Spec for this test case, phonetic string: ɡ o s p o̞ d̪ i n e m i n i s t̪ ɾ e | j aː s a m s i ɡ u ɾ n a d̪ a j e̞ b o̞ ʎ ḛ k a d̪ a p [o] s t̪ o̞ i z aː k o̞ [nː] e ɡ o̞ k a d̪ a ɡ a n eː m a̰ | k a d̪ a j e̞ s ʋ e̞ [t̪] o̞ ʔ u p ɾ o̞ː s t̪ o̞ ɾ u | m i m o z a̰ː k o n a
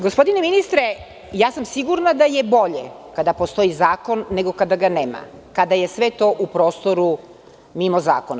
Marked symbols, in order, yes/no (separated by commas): yes, yes, yes